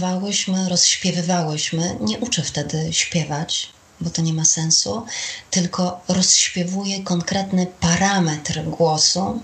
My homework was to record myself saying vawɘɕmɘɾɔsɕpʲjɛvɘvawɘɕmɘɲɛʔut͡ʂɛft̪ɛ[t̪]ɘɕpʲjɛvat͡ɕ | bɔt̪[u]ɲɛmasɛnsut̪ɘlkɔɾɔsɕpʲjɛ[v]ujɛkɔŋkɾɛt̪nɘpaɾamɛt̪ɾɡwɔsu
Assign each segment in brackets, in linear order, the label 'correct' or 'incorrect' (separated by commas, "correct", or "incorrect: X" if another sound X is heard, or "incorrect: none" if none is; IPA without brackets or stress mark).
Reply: incorrect: d̪, incorrect: ɔ, correct